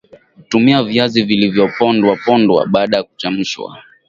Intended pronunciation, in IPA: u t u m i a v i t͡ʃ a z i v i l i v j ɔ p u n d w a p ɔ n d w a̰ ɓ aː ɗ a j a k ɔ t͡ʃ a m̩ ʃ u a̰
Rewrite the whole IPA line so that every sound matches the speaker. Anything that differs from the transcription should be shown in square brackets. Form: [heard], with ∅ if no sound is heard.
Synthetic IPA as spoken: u t u m i a v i [∅] a z i v i l i v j ɔ p [ɔ] n d w a p ɔ n d w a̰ ɓ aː ɗ a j a k [u] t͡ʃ a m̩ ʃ [w] a̰